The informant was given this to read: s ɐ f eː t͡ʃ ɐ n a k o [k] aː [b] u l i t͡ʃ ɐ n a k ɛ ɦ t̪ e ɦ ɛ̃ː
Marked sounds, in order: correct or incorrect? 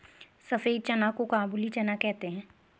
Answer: correct, correct

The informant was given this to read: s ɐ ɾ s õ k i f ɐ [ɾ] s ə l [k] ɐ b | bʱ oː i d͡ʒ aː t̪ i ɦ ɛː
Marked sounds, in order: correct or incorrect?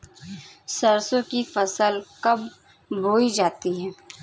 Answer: incorrect: none, correct

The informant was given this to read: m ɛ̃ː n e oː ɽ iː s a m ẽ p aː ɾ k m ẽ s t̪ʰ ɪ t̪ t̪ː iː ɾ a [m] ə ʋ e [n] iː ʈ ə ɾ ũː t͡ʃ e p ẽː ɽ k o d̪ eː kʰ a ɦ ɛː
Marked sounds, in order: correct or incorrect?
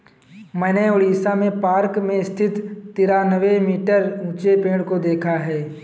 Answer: incorrect: n, incorrect: m

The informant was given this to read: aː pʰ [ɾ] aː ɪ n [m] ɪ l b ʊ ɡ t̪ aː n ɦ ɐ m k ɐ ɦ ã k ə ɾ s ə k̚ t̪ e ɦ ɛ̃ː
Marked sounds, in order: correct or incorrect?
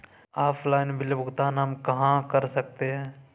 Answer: incorrect: l, incorrect: b

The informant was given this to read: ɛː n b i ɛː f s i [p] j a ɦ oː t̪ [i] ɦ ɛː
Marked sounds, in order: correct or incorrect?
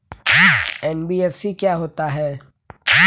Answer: incorrect: k, incorrect: a

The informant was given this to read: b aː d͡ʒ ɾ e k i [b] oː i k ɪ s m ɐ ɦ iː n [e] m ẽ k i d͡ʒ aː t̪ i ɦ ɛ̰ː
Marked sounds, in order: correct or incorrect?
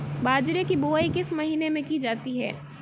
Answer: correct, correct

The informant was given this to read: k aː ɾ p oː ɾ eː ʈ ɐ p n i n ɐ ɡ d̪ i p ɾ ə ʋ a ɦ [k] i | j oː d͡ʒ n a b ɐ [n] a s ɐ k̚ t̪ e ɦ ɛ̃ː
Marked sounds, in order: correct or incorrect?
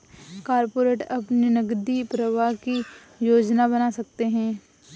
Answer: correct, correct

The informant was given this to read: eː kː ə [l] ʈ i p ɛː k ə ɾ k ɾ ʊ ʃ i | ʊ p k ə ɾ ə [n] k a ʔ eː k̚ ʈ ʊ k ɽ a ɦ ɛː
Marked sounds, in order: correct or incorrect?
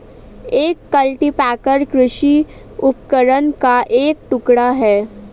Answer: correct, correct

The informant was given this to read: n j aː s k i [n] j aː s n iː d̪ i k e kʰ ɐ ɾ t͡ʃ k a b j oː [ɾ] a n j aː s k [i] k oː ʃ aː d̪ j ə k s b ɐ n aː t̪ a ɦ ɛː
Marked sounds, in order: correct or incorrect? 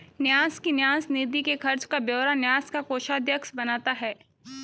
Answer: correct, correct, incorrect: a

